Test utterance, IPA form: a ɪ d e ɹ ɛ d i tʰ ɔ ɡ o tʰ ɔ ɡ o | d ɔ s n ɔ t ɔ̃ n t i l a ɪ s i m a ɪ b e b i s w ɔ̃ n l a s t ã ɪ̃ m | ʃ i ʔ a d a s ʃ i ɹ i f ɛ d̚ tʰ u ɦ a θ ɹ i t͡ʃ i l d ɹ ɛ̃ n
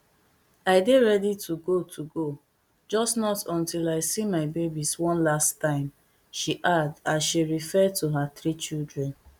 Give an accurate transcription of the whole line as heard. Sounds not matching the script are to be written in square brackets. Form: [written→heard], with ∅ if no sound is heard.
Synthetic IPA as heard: a ɪ d e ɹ ɛ d i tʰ [ɔ→u] ɡ o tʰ [ɔ→u] ɡ o | [d→d͡ʒ] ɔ s n ɔ t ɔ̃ n t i l a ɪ s i m a ɪ b e b i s w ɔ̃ n l a s t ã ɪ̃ m | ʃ i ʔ a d a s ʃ i ɹ i f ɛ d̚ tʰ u ɦ a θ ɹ i t͡ʃ i l d ɹ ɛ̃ n